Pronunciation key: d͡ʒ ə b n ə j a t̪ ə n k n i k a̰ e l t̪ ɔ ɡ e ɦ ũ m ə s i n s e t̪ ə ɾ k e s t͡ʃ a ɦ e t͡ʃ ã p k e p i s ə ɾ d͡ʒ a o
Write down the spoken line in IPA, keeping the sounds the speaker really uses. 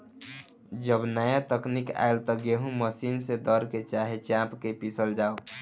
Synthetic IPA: d͡ʒ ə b n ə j a t̪ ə k n i k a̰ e l t̪ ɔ ɡ e ɦ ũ m ə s i n s e d̪ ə ɾ k e t͡ʃ a ɦ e t͡ʃ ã p k e p i s ə l d͡ʒ a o